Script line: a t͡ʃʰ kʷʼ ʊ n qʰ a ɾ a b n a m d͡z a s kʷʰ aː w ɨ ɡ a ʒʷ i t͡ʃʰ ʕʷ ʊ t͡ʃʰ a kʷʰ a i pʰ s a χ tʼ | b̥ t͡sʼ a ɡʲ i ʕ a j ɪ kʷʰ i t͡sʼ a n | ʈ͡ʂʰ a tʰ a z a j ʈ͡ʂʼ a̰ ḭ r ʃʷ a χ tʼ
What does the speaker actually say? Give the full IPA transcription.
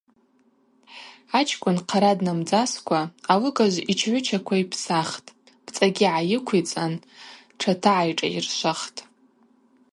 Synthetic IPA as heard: a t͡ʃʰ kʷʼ ʊ n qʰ a ɾ a d n a m d͡z a s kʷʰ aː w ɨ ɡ a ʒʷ i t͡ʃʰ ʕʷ ʊ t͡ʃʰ a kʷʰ a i pʰ s a χ tʼ | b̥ t͡sʼ a ɡʲ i ʕ a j ɪ kʷʰ i t͡sʼ a n | ʈ͡ʂʰ a tʰ a ʕ a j ʈ͡ʂʼ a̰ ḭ r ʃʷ a χ tʼ